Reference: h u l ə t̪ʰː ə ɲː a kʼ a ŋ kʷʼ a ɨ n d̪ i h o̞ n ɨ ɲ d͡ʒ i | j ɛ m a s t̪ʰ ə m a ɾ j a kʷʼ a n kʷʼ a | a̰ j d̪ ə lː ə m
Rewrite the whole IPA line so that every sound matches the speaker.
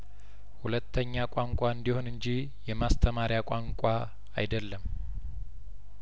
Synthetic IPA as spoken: h u l ə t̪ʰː ə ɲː a kʼ a ŋ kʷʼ a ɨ n d̪ i h o̞ n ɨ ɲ d͡ʒ i | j ɛ m a s t̪ʰ ə m a ɾ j a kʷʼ a ŋ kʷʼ a | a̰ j d̪ ə lː ə m